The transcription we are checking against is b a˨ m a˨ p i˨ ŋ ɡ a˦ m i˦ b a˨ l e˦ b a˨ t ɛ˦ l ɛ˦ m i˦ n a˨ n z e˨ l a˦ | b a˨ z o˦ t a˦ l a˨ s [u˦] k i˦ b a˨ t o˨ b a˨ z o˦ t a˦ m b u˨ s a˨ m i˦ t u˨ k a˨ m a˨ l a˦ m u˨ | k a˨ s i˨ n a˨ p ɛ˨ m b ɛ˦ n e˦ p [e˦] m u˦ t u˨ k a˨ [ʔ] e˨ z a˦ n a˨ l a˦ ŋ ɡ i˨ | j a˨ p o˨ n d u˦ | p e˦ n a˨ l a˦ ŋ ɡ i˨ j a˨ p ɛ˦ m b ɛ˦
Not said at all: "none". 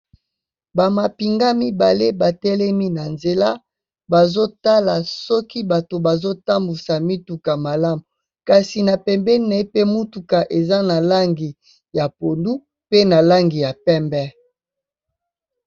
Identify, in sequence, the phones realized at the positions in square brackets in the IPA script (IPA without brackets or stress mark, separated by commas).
ɔ˦, e˦, ʔ